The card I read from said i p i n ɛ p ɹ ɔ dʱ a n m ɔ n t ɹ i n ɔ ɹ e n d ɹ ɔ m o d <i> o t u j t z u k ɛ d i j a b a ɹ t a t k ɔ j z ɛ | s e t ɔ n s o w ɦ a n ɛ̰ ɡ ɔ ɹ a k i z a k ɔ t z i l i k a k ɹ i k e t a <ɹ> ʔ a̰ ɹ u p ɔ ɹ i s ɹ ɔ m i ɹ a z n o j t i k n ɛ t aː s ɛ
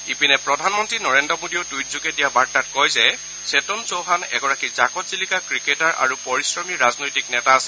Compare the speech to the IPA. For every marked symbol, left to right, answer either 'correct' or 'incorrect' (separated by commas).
correct, correct